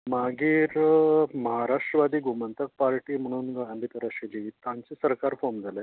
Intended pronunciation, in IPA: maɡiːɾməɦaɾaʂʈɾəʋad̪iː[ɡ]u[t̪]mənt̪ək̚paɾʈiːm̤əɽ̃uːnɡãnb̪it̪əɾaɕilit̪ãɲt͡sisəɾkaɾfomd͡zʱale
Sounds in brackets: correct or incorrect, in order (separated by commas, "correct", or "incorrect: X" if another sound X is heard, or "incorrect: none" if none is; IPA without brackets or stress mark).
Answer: correct, incorrect: none